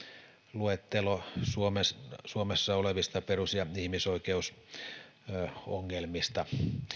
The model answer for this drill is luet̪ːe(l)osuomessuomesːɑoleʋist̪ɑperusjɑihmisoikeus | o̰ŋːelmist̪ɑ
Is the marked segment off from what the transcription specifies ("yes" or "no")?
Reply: no